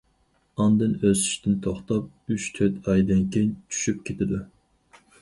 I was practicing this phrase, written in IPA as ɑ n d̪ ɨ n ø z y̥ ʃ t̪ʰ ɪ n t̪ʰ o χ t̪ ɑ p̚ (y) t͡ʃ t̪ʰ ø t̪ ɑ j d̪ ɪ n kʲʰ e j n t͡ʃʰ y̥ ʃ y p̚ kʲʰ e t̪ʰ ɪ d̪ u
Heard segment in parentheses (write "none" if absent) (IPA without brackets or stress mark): y